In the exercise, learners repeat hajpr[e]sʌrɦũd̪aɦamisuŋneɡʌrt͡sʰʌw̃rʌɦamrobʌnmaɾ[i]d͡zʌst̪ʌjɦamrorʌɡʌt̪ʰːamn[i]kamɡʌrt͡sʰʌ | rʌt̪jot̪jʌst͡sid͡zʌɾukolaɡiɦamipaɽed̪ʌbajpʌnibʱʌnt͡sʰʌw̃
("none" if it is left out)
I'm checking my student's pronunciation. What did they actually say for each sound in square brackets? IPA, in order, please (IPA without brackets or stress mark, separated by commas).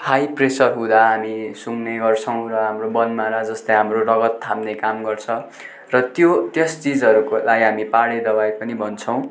e, a, e